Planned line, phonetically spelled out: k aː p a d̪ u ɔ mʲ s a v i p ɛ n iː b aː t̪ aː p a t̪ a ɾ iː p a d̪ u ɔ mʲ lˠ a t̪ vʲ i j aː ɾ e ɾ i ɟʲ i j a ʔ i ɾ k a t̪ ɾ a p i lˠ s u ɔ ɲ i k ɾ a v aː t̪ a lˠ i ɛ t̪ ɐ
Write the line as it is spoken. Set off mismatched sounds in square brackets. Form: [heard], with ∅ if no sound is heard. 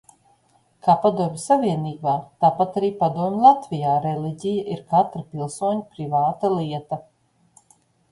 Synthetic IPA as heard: k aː p a d̪ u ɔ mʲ s a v i [∅] ɛ n iː b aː t̪ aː p a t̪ a ɾ iː p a d̪ u ɔ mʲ lˠ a t̪ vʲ i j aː ɾ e [l] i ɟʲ i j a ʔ i ɾ k a t̪ ɾ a p i lˠ s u ɔ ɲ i [p] ɾ [i] v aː t̪ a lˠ i ɛ t̪ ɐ